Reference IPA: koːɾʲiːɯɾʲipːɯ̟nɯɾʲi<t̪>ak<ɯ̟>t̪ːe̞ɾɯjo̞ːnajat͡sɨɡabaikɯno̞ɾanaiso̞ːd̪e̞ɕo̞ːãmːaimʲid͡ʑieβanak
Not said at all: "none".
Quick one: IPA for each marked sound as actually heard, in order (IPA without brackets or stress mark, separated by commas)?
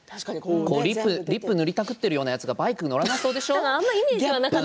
t̪, ɯ̟